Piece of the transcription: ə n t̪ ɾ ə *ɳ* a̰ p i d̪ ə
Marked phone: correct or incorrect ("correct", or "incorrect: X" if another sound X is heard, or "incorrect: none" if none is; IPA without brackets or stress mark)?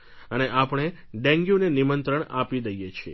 correct